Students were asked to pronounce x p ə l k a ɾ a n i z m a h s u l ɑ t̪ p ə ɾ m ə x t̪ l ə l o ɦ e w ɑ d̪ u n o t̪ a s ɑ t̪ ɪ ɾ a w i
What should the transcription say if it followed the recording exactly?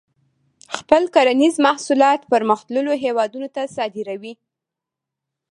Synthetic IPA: x p ə l k a ɾ a n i z m a h s u l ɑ t̪ p ə ɾ m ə x t̪ l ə l o ɦ e w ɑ d̪ u n o t̪ a s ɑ d̪ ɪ ɾ a w i